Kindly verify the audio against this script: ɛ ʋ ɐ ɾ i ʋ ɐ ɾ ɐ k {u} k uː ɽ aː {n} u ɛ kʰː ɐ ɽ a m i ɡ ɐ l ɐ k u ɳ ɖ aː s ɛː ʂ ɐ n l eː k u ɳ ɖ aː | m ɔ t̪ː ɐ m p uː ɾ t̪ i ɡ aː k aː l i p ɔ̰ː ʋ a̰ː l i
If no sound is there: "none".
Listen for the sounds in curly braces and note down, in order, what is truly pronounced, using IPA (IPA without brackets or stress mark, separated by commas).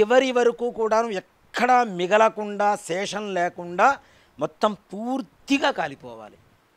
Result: uː, n